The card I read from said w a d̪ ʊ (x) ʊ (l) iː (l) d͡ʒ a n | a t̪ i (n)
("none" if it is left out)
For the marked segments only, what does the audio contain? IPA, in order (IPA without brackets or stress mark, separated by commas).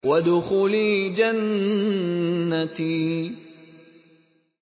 x, l, none, none